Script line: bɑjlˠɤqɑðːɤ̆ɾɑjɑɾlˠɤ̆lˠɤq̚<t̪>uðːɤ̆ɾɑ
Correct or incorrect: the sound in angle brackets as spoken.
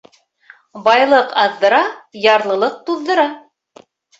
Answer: correct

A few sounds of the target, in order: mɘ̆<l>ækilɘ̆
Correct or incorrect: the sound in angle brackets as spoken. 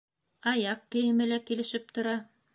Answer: correct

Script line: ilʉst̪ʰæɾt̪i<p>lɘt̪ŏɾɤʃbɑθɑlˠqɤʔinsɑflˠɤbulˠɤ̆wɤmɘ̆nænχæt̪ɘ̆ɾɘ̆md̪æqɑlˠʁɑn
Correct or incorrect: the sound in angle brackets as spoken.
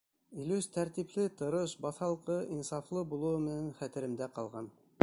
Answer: correct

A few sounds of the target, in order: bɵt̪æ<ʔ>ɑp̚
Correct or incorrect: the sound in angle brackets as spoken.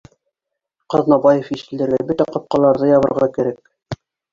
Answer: incorrect: q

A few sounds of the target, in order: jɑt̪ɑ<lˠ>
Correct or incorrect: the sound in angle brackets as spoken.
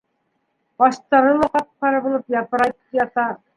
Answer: incorrect: none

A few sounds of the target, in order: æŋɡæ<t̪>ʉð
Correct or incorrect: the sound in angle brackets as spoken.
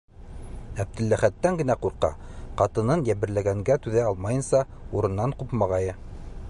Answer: correct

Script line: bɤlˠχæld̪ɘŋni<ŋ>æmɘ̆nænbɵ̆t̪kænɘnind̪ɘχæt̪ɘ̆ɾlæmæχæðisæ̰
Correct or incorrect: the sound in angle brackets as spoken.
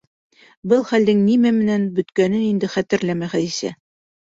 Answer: incorrect: m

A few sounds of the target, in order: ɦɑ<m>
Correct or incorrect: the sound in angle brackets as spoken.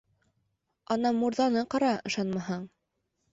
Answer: incorrect: ɴ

